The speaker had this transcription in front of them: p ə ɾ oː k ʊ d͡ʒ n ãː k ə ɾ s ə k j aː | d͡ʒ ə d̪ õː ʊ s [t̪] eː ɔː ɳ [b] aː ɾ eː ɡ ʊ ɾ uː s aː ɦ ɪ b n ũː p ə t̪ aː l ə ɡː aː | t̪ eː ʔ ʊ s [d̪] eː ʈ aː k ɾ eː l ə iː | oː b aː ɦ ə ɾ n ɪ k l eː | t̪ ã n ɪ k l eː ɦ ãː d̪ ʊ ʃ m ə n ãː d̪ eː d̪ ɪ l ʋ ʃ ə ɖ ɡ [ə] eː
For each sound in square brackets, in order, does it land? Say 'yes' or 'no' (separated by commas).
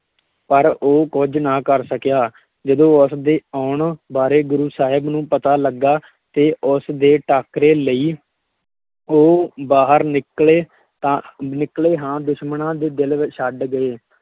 no, yes, yes, yes